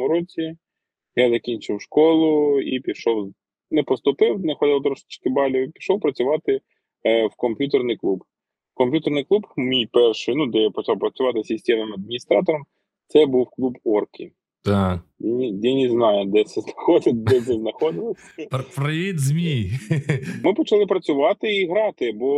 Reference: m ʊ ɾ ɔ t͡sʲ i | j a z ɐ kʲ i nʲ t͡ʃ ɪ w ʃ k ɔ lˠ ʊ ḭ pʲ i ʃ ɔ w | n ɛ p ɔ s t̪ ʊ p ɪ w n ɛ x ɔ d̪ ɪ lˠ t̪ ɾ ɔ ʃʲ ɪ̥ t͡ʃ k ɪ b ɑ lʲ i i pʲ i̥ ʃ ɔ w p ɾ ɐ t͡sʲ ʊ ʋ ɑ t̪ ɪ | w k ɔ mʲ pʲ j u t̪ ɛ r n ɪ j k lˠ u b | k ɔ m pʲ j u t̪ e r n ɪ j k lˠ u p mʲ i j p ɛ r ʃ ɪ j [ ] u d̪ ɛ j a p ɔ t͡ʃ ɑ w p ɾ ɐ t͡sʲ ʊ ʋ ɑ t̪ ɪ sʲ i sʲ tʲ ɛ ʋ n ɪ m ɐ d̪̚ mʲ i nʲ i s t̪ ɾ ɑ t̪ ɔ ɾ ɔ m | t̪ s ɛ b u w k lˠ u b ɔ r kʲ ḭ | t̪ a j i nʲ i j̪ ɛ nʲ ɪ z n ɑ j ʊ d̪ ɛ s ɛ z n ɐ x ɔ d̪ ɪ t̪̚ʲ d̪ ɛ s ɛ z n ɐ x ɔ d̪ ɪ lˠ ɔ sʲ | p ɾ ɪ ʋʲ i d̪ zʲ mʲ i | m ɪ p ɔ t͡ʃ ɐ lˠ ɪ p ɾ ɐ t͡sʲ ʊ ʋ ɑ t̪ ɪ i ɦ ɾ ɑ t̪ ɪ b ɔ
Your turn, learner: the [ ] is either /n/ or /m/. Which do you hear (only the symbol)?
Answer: n